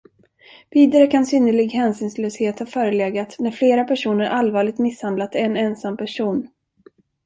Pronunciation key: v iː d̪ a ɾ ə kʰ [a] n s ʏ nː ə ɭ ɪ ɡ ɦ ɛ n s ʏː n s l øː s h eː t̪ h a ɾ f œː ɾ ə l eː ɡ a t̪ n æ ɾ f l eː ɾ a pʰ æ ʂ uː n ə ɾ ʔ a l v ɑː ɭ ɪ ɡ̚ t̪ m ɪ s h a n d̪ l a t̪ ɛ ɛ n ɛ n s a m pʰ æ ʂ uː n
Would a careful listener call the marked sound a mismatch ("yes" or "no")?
no